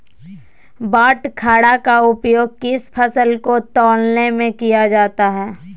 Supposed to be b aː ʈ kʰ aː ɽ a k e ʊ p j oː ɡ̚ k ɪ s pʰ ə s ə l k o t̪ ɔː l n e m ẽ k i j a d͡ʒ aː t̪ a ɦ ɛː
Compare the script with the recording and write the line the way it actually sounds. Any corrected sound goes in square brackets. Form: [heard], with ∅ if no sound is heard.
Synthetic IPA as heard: b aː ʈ kʰ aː ɽ a k [a] ʊ p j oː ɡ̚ k ɪ s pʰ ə s ə l k o t̪ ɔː l n e m ẽ k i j a d͡ʒ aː t̪ a ɦ ɛː